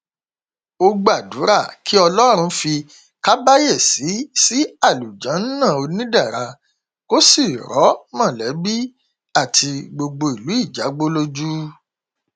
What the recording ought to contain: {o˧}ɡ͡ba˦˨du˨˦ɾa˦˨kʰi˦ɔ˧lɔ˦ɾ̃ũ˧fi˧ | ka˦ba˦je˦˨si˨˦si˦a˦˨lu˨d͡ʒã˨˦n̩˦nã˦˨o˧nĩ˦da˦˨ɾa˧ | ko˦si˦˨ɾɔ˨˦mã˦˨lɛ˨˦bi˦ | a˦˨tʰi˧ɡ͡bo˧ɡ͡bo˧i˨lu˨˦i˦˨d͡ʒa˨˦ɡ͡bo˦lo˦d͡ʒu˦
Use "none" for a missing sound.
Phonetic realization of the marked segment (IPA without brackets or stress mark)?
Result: o˧